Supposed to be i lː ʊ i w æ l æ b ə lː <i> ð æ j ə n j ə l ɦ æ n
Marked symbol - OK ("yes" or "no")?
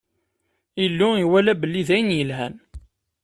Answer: yes